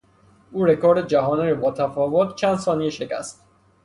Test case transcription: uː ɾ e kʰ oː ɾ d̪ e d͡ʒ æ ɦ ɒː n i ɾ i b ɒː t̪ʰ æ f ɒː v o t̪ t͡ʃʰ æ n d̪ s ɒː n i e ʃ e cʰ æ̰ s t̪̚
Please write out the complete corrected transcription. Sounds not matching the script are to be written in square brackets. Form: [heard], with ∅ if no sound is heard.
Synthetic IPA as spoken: uː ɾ e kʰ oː ɾ d̪ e d͡ʒ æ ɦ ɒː n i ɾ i b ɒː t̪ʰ æ f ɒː v o t̪ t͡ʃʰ æ n d̪ s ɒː n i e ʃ e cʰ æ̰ s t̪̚

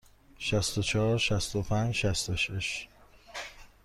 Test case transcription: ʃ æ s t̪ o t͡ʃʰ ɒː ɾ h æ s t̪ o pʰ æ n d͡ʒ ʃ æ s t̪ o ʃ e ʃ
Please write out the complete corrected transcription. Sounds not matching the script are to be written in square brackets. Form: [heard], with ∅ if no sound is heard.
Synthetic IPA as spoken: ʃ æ s t̪ o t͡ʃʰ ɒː ɾ [ʃ] æ s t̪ o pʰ æ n d͡ʒ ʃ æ s t̪ o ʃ e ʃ

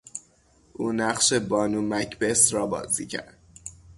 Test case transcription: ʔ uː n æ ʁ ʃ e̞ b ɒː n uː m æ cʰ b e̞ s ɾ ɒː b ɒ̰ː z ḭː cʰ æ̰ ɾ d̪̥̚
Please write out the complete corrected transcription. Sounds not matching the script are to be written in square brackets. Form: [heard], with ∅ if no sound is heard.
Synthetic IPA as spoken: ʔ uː n æ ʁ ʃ e̞ b ɒː n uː m æ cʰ b e̞ s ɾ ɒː b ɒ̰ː z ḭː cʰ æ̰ ɾ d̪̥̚

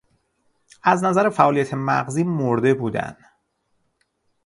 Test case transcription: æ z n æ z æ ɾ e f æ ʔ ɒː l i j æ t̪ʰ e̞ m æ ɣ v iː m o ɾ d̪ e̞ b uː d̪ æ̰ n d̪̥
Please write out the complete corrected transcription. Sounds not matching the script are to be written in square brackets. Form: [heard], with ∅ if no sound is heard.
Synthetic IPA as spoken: æ z n æ z æ ɾ e f æ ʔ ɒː l i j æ t̪ʰ e̞ m æ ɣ [z] iː m o ɾ d̪ e̞ b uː d̪ æ̰ n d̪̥

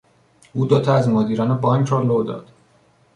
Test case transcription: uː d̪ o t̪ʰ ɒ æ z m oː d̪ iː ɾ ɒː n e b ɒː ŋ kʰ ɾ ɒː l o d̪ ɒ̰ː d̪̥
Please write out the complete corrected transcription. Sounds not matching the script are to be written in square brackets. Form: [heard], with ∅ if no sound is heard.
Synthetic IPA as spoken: uː d̪ o t̪ʰ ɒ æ z m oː d̪ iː ɾ ɒː n e b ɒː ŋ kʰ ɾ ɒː l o d̪ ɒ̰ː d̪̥

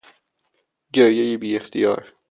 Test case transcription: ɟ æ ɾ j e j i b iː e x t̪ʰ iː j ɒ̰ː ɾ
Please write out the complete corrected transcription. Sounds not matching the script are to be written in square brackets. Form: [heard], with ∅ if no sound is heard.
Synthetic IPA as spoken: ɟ [e] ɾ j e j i b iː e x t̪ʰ [i] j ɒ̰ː ɾ

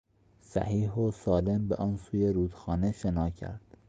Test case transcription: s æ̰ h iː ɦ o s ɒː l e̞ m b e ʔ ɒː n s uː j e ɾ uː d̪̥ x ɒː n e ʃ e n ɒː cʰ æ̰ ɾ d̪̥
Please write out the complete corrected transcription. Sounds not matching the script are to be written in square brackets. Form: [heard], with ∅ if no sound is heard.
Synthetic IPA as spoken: s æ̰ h iː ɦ o s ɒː l e̞ m b e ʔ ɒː n s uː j e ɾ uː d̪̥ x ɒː n e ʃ e n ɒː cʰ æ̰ ɾ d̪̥

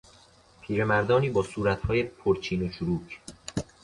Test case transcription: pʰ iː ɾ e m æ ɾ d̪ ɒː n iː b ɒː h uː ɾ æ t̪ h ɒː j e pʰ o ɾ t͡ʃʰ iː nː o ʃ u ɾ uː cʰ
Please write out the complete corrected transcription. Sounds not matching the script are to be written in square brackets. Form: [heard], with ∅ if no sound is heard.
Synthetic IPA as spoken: pʰ iː ɾ e m æ ɾ d̪ ɒː n iː b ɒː [s] uː ɾ æ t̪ h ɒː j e pʰ o ɾ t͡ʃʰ iː [n] o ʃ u ɾ uː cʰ

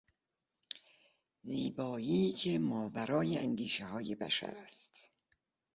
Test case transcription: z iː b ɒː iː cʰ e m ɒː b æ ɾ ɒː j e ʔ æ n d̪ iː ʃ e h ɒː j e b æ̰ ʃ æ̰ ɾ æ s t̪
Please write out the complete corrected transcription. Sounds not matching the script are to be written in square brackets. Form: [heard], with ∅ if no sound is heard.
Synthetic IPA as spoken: z iː b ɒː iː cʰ e m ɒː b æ ɾ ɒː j e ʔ æ n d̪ iː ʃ e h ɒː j e b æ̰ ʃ æ̰ ɾ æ s t̪

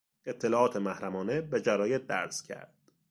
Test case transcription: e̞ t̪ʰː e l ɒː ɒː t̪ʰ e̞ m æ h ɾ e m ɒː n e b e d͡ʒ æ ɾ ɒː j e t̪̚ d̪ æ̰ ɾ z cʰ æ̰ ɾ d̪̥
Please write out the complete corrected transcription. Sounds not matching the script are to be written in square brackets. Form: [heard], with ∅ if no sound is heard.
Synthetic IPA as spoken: e̞ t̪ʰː e l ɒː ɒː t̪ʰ e̞ m æ h ɾ [æ] m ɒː n e b e d͡ʒ æ ɾ ɒː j e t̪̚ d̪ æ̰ ɾ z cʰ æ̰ ɾ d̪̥

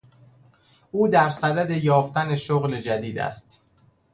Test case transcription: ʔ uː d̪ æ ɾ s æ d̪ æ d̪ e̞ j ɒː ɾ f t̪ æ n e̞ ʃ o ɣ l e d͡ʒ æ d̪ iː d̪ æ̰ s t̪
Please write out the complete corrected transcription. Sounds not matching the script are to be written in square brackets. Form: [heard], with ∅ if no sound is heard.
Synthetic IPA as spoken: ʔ uː d̪ æ ɾ s æ d̪ æ d̪ e̞ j ɒː [∅] f t̪ æ n e̞ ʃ o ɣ l e d͡ʒ æ d̪ iː d̪ æ̰ s t̪

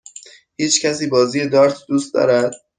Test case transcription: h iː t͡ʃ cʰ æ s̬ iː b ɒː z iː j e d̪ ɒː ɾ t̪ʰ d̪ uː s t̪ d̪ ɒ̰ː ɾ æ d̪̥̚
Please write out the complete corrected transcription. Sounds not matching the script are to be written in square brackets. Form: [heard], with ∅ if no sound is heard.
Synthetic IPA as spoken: h iː t͡ʃ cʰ æ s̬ iː b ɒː z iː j e d̪ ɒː ɾ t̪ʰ d̪ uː s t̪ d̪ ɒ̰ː ɾ æ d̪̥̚

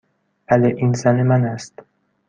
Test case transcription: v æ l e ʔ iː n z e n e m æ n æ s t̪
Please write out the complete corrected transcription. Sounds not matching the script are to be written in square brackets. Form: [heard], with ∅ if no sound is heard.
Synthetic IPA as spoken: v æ l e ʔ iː n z [æ] n e m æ n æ s t̪

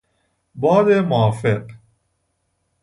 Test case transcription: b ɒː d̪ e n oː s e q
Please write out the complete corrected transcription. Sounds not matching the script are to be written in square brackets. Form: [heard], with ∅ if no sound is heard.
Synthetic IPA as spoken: b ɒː d̪ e [m] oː [f] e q

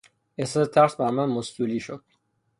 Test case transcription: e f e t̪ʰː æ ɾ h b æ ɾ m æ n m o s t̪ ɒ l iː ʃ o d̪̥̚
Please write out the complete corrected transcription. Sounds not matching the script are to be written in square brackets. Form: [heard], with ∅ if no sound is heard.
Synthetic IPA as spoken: e [s] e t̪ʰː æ ɾ [s] b æ ɾ m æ n m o s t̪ [u] l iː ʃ o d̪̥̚

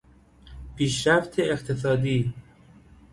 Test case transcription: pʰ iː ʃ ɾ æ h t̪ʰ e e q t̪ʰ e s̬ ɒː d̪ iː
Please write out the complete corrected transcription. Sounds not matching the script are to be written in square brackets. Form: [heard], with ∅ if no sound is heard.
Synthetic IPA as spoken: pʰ iː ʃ ɾ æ [f] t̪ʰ e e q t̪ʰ e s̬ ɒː d̪ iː

